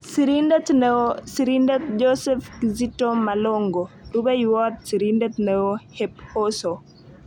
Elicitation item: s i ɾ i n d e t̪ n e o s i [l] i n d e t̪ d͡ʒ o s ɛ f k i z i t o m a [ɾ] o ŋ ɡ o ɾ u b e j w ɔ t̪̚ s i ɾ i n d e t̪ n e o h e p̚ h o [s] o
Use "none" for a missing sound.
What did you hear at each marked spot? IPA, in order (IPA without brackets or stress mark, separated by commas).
ɾ, l, s